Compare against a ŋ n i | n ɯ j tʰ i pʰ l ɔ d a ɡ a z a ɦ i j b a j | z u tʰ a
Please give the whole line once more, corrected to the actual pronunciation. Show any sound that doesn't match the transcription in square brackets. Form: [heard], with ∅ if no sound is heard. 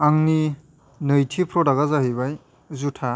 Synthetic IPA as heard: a ŋ n i | n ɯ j tʰ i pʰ [ɾ] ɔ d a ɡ a z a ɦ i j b a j | z u tʰ a